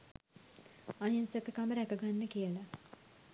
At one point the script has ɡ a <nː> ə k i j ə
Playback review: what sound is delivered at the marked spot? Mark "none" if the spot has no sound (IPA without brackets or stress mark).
nː